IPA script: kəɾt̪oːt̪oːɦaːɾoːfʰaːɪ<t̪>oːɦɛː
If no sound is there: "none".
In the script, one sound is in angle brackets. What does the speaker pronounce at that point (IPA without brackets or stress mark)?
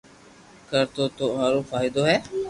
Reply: d̪